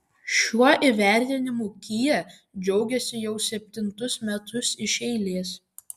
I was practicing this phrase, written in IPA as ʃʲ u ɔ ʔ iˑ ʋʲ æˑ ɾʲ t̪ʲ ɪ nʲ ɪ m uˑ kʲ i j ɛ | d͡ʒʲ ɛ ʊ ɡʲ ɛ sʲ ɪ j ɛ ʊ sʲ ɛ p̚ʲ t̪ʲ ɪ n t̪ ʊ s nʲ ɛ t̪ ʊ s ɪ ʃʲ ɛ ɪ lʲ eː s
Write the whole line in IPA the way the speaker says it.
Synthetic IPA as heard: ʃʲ u ɔ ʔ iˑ ʋʲ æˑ ɾʲ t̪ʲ ɪ nʲ ɪ m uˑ kʲ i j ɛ | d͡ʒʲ ɛ ʊ ɡʲ ɛ sʲ ɪ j ɛ ʊ sʲ ɛ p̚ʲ t̪ʲ ɪ n t̪ ʊ s mʲ ɛ t̪ ʊ s ɪ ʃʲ ɛ ɪ lʲ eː s